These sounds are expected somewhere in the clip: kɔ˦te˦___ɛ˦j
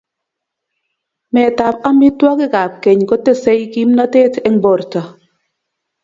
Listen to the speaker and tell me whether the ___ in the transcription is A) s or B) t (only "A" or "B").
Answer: A